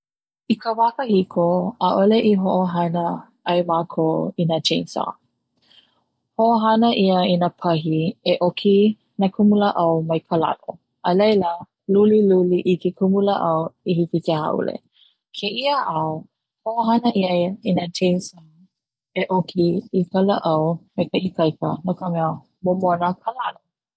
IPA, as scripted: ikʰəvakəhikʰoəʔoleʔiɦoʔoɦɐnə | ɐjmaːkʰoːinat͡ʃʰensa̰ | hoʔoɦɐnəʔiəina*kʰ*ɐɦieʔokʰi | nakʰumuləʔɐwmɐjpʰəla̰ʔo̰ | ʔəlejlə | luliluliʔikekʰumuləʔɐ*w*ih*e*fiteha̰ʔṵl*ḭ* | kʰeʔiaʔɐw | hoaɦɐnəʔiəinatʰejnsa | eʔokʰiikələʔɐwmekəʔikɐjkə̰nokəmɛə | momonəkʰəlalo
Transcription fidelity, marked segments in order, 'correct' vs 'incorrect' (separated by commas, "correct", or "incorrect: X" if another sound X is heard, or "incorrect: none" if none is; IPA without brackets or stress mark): incorrect: pʰ, correct, incorrect: i, incorrect: ḛ